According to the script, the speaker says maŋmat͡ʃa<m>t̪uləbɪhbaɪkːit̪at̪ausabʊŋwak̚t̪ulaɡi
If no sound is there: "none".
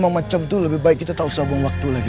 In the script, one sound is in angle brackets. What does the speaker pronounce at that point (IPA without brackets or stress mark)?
m